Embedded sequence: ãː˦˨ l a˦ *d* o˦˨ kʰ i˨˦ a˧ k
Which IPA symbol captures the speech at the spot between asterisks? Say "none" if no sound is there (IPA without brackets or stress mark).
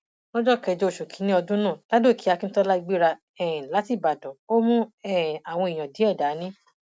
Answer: d